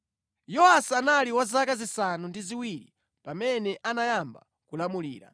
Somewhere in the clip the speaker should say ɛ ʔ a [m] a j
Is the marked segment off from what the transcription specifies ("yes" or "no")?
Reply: yes